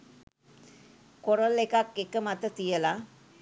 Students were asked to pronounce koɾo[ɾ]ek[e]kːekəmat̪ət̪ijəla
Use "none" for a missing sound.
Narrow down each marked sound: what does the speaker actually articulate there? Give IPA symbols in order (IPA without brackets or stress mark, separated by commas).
l, a